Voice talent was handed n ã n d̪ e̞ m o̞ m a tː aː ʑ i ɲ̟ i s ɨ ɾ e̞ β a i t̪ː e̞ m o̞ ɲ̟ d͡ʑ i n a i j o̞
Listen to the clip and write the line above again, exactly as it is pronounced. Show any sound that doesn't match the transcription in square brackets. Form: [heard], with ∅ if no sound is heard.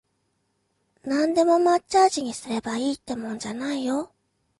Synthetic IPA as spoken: n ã n d̪ e̞ m o̞ m a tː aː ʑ i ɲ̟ i s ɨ ɾ e̞ [b] a [iː] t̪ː e̞ m [õ̞] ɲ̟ d͡ʑ [a] n a i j o̞